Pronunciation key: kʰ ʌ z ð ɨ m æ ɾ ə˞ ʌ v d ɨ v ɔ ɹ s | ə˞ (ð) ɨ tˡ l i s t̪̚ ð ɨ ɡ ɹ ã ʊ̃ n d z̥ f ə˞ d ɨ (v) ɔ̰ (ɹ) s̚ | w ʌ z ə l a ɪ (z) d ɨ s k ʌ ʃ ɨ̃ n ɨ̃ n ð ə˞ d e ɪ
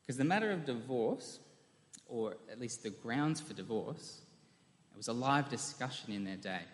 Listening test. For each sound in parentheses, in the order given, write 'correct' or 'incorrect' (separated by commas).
incorrect, correct, correct, incorrect